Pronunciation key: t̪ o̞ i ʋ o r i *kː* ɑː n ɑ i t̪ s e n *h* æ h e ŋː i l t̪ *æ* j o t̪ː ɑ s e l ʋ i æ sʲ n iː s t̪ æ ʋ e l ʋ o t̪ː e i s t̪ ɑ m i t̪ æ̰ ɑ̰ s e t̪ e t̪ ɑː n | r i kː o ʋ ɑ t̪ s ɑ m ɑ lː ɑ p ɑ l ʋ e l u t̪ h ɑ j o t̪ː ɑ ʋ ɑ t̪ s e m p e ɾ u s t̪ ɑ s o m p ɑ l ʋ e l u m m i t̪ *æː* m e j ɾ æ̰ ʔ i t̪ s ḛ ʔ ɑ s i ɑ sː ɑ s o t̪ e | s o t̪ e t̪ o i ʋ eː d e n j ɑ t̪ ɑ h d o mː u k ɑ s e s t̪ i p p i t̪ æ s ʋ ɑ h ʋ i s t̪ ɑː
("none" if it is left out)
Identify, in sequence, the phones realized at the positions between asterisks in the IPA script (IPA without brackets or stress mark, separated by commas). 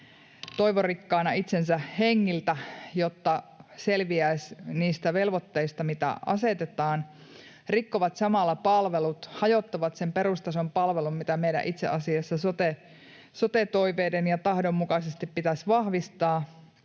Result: kː, s, æ, æ